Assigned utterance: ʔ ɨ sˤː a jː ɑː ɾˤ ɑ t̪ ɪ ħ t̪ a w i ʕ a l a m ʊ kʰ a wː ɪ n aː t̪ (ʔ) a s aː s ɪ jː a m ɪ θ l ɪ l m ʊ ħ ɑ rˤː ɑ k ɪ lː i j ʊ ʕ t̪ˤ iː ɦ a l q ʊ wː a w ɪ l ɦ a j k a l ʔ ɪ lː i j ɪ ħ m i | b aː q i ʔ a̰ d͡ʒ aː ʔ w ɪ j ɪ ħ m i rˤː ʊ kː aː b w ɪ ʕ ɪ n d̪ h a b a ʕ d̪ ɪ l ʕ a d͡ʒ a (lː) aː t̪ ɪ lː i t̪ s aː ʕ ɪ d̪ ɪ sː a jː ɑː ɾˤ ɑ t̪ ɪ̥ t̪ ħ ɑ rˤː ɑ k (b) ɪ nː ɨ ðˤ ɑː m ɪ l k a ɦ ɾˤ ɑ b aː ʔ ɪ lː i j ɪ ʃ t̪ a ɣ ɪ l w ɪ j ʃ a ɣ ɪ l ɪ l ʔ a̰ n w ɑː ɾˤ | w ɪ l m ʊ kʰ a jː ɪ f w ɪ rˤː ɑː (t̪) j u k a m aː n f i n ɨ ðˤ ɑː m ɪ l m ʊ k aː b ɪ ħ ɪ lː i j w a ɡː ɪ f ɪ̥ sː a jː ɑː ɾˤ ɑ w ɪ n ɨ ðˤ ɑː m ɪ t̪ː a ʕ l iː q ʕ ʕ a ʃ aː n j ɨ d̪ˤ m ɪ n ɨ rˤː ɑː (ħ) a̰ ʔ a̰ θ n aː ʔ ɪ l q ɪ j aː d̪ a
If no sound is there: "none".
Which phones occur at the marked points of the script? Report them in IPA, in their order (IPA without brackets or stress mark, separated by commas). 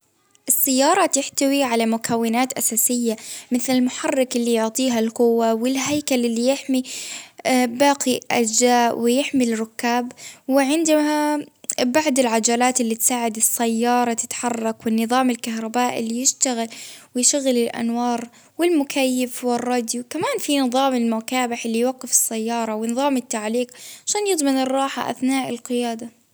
ʔ, l, w, d̪, ħ